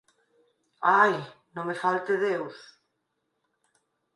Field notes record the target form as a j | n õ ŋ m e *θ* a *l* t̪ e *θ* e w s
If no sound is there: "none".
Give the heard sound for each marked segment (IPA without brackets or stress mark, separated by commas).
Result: f, l, ð